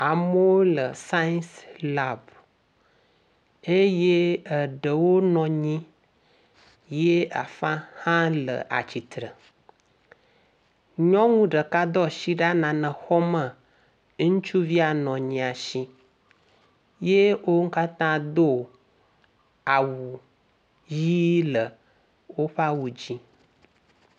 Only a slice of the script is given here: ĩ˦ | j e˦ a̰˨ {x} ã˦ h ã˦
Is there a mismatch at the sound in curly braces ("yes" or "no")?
yes